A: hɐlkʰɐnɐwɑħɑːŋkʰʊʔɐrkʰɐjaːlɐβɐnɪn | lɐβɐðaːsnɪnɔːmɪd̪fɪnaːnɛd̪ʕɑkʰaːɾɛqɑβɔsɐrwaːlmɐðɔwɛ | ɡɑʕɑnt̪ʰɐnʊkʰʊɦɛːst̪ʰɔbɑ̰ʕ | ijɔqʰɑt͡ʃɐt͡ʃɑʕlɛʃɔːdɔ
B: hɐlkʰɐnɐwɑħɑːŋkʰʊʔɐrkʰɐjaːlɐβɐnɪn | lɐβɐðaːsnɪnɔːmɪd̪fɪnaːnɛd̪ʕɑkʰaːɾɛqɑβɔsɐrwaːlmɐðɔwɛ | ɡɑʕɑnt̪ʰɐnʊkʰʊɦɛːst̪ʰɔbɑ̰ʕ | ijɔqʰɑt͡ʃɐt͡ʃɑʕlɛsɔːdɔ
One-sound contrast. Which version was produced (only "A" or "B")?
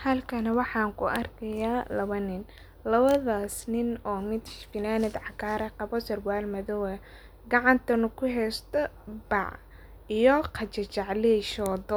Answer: A